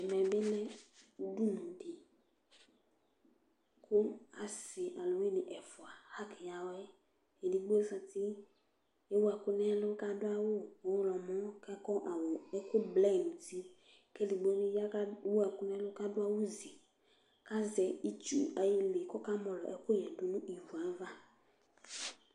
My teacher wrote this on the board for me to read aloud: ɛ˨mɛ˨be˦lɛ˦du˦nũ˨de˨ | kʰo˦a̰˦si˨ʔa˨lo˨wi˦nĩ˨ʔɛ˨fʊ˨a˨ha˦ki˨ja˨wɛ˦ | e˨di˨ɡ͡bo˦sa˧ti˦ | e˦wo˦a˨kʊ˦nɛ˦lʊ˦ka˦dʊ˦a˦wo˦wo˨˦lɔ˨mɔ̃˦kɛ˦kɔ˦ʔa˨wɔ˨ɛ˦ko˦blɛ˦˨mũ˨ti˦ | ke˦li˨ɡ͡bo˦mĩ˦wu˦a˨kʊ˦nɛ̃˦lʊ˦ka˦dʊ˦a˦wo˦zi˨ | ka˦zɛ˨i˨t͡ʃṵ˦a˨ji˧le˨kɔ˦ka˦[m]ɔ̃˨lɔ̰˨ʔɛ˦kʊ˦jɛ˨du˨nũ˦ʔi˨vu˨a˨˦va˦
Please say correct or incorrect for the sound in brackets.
correct